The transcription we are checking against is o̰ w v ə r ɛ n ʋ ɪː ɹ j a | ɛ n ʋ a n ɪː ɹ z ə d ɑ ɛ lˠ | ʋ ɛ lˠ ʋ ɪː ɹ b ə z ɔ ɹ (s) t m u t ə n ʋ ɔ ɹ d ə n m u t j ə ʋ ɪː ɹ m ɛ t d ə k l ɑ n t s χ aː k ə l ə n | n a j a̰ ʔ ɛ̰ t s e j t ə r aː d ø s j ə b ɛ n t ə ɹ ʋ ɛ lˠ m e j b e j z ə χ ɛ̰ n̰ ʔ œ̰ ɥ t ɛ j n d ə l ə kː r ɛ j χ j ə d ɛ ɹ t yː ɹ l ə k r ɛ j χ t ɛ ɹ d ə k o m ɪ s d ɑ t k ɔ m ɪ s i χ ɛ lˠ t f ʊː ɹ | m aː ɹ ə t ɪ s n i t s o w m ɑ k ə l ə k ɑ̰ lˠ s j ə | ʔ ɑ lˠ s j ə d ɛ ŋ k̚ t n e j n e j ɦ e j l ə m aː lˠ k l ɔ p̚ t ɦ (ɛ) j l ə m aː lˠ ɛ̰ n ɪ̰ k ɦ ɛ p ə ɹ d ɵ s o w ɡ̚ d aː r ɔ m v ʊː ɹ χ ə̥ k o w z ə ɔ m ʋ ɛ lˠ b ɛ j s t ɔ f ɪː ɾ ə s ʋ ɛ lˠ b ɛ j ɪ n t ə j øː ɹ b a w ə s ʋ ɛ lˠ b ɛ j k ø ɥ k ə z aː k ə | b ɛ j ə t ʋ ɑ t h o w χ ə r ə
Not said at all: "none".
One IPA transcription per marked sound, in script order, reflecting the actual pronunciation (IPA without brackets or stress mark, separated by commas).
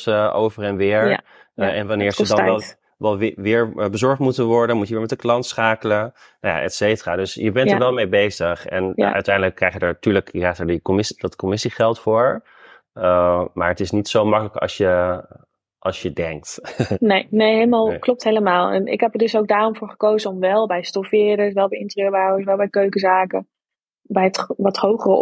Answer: χ, e